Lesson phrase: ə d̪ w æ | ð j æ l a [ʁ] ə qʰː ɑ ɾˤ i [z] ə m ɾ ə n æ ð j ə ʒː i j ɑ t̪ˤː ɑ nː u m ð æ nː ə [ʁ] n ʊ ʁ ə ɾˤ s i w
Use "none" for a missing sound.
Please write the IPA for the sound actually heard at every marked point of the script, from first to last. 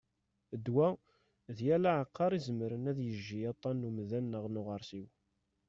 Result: ʕ, z, ʁ

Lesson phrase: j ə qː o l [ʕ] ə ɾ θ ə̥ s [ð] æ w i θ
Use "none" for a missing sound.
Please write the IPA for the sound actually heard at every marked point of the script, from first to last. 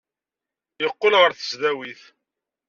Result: ʁ, ð

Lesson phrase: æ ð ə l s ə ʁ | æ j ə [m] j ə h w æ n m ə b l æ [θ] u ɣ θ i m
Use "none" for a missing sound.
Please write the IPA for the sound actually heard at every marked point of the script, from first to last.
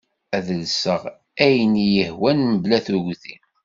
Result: n, θ

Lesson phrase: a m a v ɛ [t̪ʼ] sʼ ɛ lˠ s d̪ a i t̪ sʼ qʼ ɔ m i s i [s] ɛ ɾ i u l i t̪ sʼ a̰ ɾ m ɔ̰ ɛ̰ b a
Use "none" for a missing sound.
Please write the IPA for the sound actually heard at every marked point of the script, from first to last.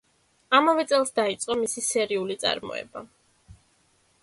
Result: t̪, s

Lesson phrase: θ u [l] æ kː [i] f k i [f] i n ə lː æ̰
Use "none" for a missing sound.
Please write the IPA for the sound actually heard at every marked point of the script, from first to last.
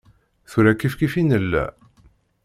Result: ɾ, i, f

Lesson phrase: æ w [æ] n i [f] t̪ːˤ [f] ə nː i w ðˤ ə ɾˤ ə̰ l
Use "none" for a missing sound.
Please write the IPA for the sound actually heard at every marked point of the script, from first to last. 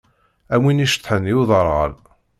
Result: i, ʃ, ħ

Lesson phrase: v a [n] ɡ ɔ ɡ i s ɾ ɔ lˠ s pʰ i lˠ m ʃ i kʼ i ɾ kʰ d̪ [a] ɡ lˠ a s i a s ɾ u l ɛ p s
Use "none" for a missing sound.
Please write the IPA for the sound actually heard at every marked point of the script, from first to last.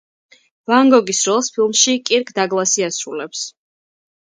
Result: ŋ, a

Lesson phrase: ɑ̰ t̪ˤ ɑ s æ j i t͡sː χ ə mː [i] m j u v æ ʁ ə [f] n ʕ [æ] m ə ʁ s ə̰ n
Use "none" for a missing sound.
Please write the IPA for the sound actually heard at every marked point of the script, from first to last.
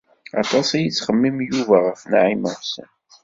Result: i, f, i

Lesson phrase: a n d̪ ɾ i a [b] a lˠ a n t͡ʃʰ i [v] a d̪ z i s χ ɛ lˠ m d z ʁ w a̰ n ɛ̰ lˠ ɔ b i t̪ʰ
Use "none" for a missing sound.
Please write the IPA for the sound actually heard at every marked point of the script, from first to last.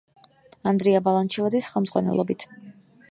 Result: b, v

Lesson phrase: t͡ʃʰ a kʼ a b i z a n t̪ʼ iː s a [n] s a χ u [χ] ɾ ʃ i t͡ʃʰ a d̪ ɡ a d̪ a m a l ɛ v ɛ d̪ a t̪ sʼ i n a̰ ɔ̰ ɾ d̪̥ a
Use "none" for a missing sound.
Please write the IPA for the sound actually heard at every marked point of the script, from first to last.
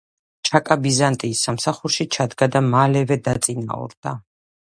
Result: m, none

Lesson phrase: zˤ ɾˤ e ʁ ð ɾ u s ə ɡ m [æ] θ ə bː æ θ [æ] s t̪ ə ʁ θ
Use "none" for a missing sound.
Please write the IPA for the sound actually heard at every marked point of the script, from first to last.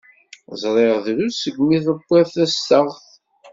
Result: i, æ

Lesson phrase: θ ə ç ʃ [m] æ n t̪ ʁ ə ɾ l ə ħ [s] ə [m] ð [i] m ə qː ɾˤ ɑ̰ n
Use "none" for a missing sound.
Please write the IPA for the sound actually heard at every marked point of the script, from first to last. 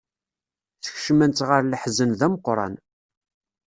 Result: m, z, n, æ

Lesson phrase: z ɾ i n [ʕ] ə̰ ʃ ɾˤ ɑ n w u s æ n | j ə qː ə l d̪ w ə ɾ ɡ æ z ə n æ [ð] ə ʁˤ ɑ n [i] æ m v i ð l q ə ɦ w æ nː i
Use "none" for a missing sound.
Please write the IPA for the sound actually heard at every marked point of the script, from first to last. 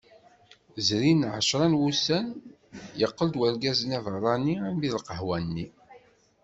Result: ʕ, v, i

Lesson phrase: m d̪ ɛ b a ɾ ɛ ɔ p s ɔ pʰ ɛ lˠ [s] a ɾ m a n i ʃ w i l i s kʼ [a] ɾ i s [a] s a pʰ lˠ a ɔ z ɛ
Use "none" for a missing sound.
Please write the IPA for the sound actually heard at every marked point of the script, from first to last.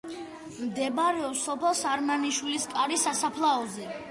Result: s, a, a

